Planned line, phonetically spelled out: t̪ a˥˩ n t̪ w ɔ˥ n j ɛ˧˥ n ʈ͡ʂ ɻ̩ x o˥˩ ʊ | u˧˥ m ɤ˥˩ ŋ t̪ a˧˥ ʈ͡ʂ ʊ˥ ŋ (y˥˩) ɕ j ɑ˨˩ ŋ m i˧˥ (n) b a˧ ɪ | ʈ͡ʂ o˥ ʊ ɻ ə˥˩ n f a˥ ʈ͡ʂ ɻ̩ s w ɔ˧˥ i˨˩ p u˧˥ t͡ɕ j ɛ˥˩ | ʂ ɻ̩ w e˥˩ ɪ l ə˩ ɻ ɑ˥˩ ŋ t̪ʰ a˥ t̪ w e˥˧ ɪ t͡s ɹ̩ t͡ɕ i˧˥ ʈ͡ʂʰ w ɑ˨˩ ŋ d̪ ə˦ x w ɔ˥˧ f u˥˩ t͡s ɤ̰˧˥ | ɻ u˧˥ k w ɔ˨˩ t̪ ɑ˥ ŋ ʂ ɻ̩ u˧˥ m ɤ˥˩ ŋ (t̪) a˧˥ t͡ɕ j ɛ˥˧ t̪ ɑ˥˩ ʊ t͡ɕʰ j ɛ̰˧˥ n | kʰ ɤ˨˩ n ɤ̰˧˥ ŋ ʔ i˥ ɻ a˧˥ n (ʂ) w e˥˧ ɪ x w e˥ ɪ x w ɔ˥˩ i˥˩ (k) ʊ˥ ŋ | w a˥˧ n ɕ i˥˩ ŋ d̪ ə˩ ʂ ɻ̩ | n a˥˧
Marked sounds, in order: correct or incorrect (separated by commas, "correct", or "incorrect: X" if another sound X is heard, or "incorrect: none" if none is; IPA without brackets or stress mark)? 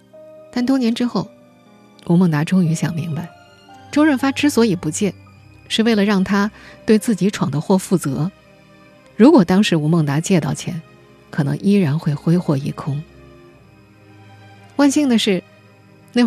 incorrect: y˧˥, incorrect: ŋ, correct, incorrect: x, incorrect: kʰ